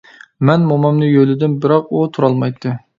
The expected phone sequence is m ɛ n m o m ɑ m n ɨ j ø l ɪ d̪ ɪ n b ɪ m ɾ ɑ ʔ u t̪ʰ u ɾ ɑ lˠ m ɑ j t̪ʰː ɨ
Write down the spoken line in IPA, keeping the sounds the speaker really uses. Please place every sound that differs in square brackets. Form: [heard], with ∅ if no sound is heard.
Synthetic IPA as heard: m ɛ n m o m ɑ m n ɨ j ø l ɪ d̪ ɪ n b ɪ [∅] ɾ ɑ [q] u t̪ʰ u ɾ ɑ lˠ m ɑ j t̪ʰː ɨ